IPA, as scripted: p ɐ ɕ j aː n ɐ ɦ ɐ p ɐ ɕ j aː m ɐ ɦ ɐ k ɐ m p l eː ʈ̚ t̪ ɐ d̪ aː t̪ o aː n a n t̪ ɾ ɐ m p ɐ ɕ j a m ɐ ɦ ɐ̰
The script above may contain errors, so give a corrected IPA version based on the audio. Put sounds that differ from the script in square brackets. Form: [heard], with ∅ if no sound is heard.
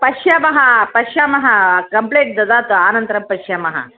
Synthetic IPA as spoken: p ɐ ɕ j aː [m] ɐ ɦ ɐ p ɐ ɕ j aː m ɐ ɦ ɐ k ɐ m p l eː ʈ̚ [d̪] ɐ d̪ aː t̪ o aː n [ɐ] n t̪ ɾ ɐ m p ɐ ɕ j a m ɐ ɦ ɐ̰